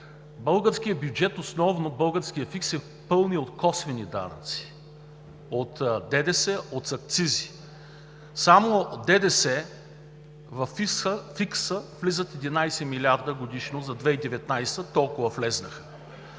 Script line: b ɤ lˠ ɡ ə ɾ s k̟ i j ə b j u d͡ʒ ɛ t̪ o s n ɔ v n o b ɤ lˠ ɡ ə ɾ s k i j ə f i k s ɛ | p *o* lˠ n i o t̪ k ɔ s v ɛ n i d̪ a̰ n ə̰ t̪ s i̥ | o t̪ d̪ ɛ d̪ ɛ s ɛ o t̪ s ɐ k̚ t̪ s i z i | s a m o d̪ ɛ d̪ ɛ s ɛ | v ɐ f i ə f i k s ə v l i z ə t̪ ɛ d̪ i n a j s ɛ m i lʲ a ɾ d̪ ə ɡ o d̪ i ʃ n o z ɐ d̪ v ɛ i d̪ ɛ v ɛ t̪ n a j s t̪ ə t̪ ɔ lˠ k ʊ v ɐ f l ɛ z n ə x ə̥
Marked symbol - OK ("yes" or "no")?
no